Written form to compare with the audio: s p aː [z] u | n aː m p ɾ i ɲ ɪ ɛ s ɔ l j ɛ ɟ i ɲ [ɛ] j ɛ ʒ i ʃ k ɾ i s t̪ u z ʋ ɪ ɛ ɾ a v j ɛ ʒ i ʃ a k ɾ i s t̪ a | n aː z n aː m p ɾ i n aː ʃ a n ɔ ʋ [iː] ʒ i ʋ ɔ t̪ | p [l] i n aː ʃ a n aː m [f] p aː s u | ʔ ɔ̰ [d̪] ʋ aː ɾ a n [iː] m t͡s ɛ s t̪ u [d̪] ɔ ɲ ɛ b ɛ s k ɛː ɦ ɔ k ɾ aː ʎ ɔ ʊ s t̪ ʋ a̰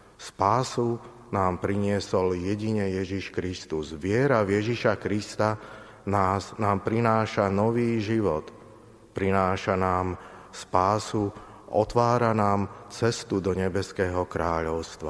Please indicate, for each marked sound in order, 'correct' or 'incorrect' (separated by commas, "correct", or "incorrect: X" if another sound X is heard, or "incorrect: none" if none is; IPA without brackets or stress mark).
incorrect: s, correct, correct, incorrect: ɾ, incorrect: s, incorrect: t̪, incorrect: aː, correct